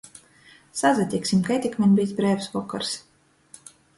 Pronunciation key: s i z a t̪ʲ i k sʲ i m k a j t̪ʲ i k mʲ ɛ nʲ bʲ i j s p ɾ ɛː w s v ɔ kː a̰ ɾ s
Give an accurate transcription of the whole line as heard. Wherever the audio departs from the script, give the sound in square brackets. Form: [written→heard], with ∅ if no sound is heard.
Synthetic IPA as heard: s [i→a] z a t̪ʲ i k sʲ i m k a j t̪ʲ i k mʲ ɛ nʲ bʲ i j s [p→b] ɾ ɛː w s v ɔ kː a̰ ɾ s